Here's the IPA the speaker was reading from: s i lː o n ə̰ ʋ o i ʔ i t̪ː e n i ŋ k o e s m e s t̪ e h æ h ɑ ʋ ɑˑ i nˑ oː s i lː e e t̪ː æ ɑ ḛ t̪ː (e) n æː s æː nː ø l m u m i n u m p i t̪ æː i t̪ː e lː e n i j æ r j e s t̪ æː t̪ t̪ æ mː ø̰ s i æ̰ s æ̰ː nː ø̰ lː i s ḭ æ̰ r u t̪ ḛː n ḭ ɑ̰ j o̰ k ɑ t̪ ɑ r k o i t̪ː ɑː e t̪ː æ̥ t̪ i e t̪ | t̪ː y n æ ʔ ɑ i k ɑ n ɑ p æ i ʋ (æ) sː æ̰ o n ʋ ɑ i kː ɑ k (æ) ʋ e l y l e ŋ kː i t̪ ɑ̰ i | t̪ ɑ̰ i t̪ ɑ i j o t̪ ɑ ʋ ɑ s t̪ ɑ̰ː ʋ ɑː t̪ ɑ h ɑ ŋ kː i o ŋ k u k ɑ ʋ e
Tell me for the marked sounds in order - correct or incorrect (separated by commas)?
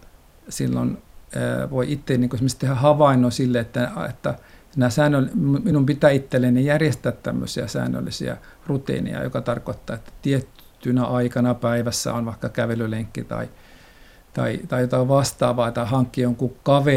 incorrect, correct, correct